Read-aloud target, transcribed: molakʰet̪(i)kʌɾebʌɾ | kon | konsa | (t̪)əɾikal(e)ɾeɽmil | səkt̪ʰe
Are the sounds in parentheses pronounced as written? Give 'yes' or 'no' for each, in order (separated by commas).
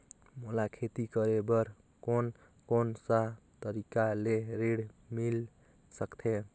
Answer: yes, yes, yes